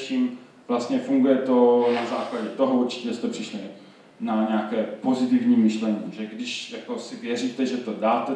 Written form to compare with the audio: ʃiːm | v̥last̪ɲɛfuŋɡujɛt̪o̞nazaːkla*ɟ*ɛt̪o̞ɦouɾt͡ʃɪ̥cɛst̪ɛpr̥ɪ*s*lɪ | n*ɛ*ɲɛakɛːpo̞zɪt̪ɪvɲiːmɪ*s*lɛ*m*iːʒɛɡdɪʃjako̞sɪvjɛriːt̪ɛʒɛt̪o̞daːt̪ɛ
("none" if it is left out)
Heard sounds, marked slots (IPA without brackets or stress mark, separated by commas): ɟ, ʃ, a, ʃ, ɲ